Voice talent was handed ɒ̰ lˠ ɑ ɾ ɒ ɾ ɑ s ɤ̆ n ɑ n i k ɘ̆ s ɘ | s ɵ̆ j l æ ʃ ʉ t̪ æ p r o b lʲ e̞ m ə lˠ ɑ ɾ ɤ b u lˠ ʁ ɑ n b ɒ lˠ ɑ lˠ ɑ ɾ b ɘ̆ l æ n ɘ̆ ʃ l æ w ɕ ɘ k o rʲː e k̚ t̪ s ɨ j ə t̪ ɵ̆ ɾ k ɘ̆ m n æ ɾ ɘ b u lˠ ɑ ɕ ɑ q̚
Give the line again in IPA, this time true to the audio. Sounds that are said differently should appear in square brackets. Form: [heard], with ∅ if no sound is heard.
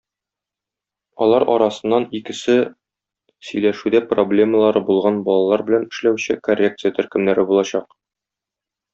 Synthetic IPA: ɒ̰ lˠ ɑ ɾ ɒ ɾ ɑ s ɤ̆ [nː] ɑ n i k ɘ̆ s ɘ | s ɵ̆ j l æ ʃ ʉ [d̪] æ p r o b lʲ e̞ m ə lˠ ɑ ɾ ɤ b u lˠ ʁ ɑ n b ɒ lˠ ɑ lˠ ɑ ɾ b ɘ̆ l æ n ɘ̆ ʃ l æ w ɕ ɘ k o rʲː e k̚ t̪ s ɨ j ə t̪ ɵ̆ ɾ k ɘ̆ m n æ ɾ ɘ b u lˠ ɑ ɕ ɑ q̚